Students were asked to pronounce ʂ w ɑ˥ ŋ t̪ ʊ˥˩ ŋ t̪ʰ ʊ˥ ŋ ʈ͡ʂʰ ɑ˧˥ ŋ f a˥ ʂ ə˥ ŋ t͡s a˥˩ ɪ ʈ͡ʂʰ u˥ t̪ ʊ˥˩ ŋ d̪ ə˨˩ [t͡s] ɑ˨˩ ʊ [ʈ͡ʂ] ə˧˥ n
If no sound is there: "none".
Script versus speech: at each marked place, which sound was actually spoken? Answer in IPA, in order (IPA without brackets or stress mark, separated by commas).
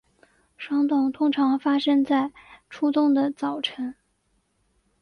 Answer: t͡s, ʈ͡ʂʰ